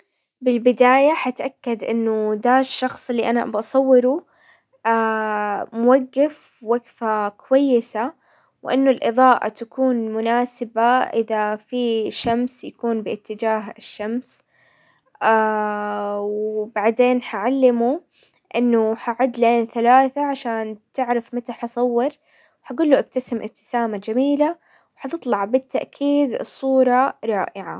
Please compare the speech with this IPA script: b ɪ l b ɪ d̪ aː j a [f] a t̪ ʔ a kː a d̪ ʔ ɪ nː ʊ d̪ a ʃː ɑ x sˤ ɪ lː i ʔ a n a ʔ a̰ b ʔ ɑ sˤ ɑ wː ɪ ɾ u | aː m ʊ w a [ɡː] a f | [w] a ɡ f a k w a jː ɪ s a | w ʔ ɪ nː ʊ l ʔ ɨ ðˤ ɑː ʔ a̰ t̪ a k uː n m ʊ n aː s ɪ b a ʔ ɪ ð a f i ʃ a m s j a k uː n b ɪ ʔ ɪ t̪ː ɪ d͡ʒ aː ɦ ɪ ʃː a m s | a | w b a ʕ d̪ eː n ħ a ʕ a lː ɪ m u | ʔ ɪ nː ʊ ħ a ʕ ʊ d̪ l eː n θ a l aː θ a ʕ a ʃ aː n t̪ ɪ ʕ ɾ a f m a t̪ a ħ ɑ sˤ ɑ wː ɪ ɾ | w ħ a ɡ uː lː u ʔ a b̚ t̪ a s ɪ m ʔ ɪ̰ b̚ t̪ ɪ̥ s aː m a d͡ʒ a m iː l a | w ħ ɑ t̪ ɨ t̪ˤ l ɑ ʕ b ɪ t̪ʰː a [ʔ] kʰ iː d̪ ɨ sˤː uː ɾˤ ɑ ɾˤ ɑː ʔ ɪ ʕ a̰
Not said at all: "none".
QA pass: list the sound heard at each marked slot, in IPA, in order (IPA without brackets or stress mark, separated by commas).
ħ, ɡː, w, ʔ